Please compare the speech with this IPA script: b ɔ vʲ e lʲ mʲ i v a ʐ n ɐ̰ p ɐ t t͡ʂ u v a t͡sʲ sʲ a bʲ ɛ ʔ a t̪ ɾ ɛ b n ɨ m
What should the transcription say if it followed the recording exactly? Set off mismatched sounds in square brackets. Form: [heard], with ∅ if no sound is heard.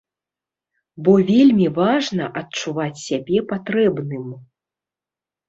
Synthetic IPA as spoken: b ɔ vʲ e lʲ mʲ i v a ʐ n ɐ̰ [ʔ] ɐ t t͡ʂ u v a t͡sʲ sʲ a bʲ ɛ [p] a t̪ ɾ ɛ b n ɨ m